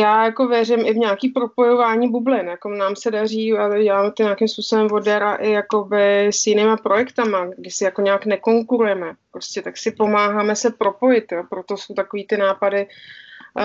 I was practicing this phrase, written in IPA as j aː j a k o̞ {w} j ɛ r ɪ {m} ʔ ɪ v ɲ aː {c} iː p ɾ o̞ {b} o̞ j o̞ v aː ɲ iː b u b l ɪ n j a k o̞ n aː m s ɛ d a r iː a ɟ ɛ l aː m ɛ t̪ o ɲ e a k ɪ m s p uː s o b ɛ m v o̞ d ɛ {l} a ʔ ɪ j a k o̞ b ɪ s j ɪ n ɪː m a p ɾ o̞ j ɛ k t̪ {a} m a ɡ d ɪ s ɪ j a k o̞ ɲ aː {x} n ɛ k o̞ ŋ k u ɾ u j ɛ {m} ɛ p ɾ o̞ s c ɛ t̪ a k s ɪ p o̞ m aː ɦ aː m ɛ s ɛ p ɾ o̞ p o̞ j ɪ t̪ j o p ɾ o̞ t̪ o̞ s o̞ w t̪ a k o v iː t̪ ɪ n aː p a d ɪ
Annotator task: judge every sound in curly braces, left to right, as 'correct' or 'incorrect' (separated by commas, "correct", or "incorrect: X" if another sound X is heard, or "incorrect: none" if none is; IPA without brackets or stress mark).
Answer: incorrect: v, correct, incorrect: k, incorrect: p, incorrect: ɾ, correct, incorrect: k, correct